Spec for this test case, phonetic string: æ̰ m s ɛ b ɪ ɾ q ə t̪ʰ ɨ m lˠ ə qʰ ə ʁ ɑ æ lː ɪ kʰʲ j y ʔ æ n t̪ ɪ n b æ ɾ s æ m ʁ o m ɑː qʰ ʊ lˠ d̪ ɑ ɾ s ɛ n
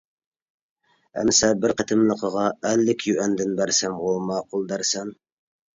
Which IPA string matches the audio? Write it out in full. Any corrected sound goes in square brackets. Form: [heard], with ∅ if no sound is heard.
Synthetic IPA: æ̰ m s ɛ b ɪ ɾ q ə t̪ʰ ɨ m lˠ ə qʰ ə ʁ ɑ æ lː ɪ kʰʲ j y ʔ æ n [d̪] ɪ n b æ ɾ s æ m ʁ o m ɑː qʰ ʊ lˠ d̪ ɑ ɾ s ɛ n

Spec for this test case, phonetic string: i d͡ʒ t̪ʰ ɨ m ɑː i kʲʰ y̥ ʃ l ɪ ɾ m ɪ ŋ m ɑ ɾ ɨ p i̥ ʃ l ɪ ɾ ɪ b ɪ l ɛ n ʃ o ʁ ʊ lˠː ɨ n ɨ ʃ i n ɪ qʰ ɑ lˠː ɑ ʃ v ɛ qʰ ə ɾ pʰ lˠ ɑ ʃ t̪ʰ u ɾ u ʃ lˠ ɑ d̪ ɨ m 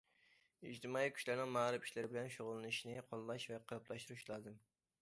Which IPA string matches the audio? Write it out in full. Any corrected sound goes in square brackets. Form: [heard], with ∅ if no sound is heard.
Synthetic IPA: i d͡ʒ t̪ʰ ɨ m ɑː i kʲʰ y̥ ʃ l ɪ ɾ [n] ɪ ŋ m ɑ ɾ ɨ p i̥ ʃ l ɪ ɾ ɪ b ɪ l ɛ n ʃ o ʁ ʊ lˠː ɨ n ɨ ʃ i n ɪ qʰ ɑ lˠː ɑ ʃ v ɛ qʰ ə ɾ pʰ lˠ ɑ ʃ [t̪] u ɾ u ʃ lˠ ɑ d̪ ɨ m

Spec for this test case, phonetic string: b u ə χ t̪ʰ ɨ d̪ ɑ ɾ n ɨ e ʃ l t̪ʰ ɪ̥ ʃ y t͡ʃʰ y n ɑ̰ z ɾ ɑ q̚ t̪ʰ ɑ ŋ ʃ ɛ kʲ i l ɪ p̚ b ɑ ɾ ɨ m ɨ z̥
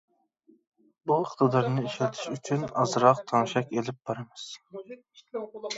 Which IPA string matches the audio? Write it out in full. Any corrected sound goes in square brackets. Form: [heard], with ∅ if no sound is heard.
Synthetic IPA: b u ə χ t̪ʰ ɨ d̪ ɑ ɾ n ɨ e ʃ l t̪ʰ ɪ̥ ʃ y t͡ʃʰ y n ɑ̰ z ɾ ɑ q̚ t̪ʰ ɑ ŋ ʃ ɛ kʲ [e] l ɪ p̚ b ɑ ɾ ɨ m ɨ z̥

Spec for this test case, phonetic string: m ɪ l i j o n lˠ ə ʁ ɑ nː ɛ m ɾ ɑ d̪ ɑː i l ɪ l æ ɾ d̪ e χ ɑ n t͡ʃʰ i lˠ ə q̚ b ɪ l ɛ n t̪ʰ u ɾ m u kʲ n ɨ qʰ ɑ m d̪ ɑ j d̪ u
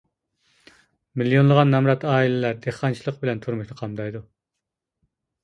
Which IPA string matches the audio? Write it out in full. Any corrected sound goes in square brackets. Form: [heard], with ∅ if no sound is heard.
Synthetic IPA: m [i] l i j o n lˠ ə ʁ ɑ nː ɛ m ɾ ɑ [t̪] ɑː i l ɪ l æ ɾ d̪ e χ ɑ n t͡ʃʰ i lˠ ə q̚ b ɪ l ɛ n t̪ʰ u ɾ m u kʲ n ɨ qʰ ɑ m d̪ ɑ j d̪ u

